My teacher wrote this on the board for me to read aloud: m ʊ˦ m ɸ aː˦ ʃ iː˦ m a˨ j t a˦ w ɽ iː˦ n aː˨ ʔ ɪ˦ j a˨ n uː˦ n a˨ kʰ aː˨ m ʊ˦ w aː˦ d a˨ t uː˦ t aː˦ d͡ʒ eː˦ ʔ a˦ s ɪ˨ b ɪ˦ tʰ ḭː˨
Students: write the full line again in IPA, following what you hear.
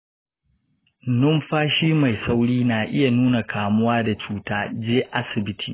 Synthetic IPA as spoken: n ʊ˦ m ɸ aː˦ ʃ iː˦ m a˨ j s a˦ w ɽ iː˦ n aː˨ ʔ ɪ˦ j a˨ n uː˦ n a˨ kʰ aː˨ m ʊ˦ w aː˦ d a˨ t͡ʃ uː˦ t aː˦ d͡ʒ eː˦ ʔ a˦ s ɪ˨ b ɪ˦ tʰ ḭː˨